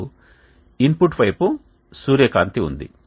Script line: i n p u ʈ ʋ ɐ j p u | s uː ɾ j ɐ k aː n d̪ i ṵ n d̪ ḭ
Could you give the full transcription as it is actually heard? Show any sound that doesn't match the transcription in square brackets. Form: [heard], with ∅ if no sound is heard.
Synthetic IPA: i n p u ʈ ʋ ɐ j p u | s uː ɾ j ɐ k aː n [t̪] i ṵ n d̪ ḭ

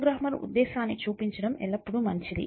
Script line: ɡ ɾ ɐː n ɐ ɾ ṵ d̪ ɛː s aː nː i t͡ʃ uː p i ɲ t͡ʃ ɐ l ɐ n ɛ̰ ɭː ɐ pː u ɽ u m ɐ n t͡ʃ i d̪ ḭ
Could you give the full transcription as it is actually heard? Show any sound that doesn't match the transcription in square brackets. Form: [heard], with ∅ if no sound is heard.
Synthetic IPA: ɡ ɾ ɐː [m] ɐ ɾ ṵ [d̪ː] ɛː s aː nː i t͡ʃ uː p i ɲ t͡ʃ ɐ [ɽ] ɐ [m] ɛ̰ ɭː ɐ pː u ɽ u m ɐ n t͡ʃ i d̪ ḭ

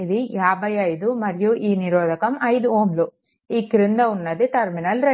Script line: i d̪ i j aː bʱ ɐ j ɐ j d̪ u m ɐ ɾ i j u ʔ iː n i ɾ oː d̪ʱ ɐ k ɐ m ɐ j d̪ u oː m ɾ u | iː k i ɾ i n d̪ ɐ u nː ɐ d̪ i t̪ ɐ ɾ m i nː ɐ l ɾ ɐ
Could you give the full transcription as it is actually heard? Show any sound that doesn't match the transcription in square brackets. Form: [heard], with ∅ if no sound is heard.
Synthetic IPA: i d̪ i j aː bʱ ɐ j ɐ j d̪ u m ɐ ɾ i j u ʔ iː n i ɾ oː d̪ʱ ɐ k ɐ m ɐ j d̪ u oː m [l] u | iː k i ɾ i n d̪ ɐ u nː ɐ d̪ i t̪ ɐ ɾ m i [n] ɐ l ɾ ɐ

